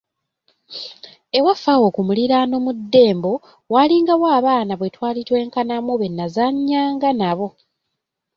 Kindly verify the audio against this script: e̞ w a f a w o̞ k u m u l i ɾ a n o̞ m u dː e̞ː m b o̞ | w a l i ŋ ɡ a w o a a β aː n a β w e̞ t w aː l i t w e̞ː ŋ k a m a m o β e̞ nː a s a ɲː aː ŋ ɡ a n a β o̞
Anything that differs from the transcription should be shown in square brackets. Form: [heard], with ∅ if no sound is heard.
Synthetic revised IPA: e̞ w a f a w o̞ k u m u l i ɾ a n o̞ m u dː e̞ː m b o̞ | w a l i ŋ ɡ a w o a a β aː n a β w e̞ t w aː l i t w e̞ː ŋ k a [n] a m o β e̞ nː a [z] a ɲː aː ŋ ɡ a n a β o̞